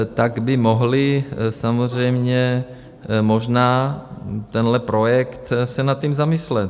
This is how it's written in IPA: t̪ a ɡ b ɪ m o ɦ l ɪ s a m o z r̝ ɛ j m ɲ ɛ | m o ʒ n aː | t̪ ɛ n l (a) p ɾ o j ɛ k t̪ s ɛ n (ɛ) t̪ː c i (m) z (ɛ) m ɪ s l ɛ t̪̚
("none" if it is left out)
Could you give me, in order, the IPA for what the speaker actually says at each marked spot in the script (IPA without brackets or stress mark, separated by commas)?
ɛ, a, m, a